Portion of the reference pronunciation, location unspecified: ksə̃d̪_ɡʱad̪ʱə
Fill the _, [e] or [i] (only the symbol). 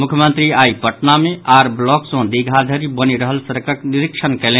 i